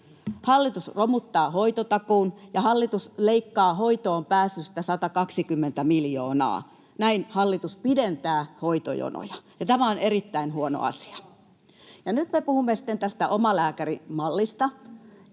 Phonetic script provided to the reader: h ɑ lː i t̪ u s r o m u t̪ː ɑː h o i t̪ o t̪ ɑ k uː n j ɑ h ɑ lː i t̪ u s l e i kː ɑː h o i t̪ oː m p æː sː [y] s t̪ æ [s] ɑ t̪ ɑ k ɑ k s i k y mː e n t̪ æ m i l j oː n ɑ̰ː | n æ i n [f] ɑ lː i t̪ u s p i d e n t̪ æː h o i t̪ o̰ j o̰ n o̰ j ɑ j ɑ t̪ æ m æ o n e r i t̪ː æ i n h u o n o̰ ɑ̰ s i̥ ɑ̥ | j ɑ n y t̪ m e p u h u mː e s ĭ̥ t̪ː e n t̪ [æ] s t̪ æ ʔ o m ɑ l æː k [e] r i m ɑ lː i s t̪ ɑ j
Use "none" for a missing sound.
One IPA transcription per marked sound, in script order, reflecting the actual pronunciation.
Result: y, s, h, æ, æ

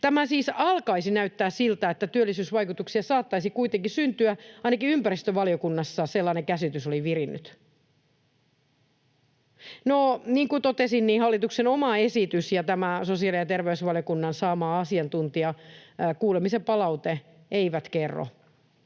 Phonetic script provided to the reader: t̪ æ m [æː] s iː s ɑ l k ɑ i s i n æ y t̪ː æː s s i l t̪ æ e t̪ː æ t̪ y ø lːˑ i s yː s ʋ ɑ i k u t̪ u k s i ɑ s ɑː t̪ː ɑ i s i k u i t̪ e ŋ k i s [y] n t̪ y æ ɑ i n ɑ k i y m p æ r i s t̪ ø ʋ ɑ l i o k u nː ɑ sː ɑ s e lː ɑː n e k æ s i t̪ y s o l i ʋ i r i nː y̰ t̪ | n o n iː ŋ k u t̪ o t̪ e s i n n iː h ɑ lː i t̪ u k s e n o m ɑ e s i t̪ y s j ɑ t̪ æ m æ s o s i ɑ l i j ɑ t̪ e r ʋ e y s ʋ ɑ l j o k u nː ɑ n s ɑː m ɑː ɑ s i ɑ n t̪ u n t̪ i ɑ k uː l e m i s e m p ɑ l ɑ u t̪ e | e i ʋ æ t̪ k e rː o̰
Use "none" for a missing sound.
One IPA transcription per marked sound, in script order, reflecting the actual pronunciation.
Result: æ, y

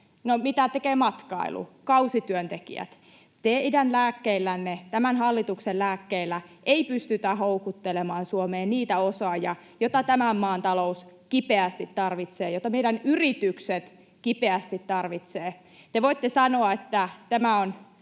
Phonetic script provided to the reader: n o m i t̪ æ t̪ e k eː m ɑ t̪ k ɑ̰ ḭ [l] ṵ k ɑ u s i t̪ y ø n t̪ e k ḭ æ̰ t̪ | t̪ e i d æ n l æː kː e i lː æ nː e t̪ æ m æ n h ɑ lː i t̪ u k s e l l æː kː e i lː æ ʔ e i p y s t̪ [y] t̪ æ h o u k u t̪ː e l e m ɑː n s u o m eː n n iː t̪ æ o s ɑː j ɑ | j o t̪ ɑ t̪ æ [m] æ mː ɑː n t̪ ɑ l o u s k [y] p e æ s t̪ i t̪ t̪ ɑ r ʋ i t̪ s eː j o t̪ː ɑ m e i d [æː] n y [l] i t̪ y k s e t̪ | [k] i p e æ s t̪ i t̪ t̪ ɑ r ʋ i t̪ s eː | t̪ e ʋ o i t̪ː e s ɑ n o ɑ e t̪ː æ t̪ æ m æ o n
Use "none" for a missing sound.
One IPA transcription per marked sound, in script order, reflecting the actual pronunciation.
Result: l, y, m, i, æ, r, k

